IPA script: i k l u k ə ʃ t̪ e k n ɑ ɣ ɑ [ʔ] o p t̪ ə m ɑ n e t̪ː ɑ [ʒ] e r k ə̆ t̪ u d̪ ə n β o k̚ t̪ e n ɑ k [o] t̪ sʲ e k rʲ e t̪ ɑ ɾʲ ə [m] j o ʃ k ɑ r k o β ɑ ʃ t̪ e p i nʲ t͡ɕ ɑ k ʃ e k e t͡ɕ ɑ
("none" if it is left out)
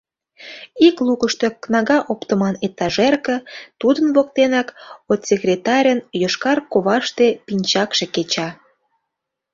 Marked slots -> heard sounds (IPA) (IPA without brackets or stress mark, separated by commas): ʔ, ʒ, o, n